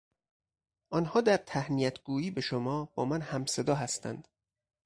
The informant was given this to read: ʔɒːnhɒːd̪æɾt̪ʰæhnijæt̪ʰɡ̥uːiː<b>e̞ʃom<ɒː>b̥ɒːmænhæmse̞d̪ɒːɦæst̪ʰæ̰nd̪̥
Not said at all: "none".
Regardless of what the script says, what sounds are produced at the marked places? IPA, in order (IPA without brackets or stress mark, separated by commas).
b, ɒː